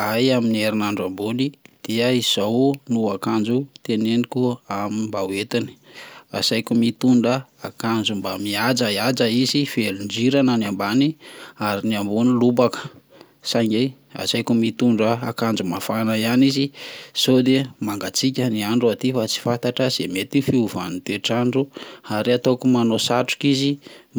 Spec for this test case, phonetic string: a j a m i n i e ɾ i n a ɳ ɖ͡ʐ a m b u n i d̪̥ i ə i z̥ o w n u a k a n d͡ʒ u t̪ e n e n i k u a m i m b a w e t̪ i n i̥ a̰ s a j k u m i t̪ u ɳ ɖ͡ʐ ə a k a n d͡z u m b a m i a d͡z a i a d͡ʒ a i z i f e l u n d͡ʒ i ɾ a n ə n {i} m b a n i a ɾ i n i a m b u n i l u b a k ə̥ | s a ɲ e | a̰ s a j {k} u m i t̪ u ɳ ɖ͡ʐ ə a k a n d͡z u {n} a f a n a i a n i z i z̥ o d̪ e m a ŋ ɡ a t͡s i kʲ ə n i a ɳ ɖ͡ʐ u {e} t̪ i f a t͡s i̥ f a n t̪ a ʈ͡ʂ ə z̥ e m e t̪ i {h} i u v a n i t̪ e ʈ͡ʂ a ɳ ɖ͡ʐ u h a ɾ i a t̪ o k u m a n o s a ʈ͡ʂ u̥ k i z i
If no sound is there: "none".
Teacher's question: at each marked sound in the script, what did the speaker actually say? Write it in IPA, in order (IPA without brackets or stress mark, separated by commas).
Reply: a, k, m, a, f